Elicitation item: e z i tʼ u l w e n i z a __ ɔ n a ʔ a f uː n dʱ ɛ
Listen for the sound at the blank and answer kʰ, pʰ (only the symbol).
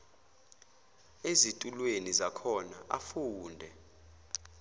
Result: kʰ